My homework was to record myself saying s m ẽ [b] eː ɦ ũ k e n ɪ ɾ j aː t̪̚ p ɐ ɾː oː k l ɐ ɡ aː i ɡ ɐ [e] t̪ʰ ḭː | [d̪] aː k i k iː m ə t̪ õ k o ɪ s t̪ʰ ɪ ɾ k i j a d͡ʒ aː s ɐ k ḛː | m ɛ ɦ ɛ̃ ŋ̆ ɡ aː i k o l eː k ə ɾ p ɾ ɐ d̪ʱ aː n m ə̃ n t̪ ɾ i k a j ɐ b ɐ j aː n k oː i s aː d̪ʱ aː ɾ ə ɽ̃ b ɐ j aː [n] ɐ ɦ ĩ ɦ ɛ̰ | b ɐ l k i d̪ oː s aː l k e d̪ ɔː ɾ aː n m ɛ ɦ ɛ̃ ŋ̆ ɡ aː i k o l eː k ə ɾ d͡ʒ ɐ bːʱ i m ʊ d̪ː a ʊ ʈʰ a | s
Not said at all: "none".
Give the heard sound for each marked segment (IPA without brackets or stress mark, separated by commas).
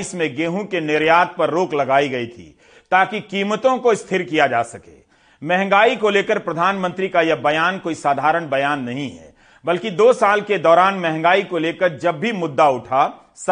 ɡ, i, t̪, nː